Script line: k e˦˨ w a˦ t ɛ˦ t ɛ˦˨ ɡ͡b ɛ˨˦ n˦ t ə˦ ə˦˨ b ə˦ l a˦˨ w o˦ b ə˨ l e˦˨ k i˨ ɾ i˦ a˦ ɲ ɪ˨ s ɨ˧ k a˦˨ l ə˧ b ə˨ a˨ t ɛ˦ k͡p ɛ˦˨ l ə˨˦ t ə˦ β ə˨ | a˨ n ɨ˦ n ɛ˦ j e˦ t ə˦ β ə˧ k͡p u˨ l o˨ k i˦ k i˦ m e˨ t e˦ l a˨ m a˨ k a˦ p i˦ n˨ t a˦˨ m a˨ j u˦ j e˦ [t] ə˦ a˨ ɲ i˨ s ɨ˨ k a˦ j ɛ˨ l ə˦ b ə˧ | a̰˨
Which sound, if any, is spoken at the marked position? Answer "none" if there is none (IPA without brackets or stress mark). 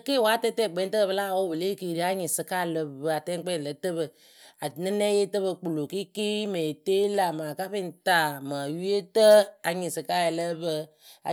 t